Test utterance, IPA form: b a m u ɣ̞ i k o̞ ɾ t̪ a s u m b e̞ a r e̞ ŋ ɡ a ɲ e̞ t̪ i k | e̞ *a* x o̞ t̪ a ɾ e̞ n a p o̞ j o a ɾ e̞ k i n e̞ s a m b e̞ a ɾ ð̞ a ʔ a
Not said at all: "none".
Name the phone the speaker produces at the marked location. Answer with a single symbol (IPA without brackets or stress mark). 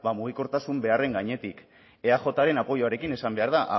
a